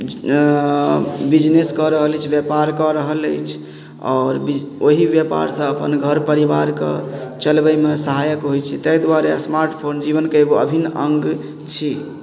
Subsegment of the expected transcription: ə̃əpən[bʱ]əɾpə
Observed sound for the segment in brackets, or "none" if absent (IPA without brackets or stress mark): ɡʱ